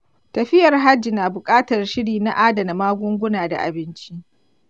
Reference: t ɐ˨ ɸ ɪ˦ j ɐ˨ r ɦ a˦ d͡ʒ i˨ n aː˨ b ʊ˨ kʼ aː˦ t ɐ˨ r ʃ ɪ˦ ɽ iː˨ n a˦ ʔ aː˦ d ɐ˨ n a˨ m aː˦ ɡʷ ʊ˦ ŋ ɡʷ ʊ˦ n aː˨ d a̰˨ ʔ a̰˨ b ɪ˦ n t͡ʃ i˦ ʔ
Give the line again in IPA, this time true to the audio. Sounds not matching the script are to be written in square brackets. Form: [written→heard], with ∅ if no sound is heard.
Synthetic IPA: t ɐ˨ ɸ ɪ˦ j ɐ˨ r ɦ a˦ d͡ʒ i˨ n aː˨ b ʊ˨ kʼ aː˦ t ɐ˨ r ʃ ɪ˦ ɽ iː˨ n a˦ ʔ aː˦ d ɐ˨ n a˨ m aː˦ ɡʷ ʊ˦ ŋ ɡʷ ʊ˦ n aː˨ d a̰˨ ʔ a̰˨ b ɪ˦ n t͡ʃ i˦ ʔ